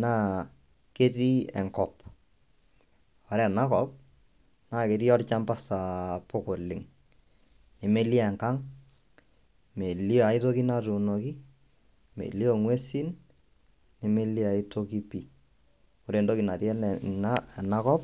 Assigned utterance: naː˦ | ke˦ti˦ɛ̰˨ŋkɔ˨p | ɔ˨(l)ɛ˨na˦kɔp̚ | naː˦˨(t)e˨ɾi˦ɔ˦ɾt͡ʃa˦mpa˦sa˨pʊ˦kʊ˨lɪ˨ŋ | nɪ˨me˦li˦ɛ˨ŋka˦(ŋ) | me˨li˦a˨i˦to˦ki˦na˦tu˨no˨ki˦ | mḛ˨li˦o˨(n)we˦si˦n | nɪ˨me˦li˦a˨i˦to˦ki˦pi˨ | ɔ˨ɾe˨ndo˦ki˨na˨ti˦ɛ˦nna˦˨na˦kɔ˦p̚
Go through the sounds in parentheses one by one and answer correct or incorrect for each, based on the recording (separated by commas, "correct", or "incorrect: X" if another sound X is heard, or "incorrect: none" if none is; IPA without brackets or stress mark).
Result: incorrect: ɾ, incorrect: k, correct, incorrect: ŋ